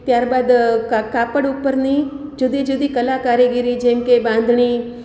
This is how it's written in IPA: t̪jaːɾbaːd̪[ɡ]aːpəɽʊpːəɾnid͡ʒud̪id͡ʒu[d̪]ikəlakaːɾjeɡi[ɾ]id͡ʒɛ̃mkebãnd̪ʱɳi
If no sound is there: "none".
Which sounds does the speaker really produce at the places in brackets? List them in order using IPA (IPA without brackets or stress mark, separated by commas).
k, d̪, ɾ